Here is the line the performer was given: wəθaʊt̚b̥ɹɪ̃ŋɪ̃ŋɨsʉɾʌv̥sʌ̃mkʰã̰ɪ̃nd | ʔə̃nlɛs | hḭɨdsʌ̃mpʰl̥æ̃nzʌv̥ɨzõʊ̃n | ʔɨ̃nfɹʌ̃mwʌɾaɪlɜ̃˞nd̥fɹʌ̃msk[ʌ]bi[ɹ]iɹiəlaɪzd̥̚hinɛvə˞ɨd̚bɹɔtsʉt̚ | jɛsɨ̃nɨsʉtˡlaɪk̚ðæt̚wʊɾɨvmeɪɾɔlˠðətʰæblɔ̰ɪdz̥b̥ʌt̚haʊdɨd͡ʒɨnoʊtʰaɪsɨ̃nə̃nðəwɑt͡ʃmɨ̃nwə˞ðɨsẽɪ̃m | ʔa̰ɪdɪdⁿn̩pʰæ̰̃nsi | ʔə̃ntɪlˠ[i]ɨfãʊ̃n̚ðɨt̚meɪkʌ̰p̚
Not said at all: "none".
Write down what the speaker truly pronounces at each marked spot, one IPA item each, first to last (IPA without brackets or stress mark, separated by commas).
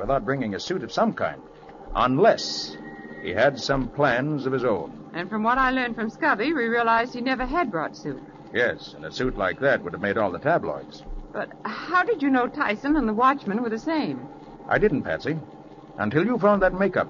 ʌ, ɹ, j